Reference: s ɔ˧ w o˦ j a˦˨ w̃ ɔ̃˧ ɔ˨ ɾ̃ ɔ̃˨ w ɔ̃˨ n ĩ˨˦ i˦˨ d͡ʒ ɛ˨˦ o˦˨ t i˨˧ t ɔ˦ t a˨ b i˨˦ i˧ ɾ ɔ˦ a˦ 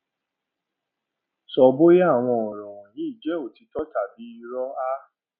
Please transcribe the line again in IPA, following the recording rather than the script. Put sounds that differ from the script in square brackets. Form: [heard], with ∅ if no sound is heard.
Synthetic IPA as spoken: s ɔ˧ [b] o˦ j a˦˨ w̃ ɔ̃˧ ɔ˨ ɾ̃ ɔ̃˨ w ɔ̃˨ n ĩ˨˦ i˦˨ d͡ʒ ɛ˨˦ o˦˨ t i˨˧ t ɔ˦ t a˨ b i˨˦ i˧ ɾ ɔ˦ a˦